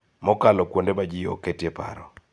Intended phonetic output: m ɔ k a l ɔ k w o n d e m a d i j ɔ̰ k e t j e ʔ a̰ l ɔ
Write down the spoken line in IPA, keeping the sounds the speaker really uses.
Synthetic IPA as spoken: m ɔ k a l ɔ k w o n d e m a d͡ʒ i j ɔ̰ k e t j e p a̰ ɾ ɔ